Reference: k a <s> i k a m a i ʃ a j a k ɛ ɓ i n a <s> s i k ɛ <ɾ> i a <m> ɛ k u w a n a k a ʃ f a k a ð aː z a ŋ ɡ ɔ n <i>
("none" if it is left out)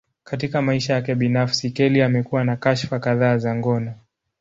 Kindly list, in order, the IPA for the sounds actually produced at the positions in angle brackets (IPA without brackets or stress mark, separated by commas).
t, f, l, m, a